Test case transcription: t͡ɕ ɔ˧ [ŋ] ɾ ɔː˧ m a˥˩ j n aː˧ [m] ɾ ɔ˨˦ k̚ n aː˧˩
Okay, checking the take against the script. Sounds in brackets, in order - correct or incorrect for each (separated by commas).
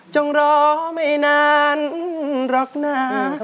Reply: correct, incorrect